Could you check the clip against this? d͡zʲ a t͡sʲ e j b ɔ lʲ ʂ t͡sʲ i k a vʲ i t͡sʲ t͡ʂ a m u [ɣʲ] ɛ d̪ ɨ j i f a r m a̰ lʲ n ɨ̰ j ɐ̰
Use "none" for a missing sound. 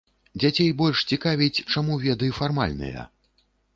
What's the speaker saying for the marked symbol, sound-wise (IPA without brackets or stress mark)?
vʲ